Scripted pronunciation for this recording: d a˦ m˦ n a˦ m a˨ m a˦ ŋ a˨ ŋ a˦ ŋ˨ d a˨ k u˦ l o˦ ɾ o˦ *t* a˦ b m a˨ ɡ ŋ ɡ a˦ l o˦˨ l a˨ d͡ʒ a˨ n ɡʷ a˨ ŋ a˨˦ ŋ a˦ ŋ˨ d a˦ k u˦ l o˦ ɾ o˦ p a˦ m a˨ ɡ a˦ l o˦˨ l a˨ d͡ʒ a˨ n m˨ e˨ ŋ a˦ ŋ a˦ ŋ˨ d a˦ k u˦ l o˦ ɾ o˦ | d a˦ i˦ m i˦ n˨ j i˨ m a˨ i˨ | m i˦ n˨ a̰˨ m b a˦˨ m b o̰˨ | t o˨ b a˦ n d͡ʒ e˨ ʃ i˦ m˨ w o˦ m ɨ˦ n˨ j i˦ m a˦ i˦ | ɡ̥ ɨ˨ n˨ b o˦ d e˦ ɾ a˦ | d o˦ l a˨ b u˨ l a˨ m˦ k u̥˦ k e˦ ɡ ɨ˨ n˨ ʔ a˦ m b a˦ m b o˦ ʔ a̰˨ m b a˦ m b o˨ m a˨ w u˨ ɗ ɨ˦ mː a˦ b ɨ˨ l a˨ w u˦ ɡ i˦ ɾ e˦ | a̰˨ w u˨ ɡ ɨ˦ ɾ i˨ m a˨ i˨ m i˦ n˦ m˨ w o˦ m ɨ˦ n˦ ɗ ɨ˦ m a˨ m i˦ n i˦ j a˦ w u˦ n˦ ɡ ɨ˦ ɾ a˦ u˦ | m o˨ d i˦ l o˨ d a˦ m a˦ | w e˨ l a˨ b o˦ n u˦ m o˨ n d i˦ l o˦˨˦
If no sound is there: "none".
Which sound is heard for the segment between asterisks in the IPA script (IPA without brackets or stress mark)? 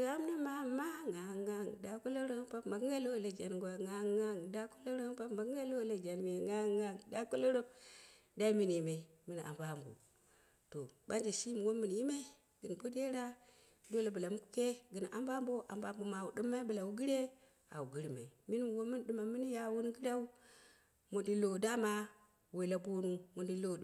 p